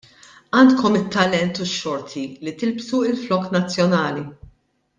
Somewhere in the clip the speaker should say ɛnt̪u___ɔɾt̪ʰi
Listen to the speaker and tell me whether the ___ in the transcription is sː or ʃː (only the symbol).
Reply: ʃː